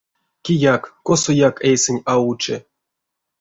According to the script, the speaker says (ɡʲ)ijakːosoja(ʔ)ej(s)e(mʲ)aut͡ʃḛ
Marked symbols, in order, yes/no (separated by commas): no, no, yes, no